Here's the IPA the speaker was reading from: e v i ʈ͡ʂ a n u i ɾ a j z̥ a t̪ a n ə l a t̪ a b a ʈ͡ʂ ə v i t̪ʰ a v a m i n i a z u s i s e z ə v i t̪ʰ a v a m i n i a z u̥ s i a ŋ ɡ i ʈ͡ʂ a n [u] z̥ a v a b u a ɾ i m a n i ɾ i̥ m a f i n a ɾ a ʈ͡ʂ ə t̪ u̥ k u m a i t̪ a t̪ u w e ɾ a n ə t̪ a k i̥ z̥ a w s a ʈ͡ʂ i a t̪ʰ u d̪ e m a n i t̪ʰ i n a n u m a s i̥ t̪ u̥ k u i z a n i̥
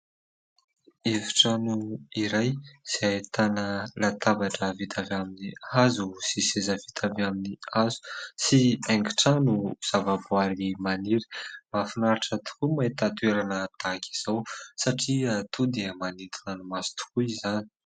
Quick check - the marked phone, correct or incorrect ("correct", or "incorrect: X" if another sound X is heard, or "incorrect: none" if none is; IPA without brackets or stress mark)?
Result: correct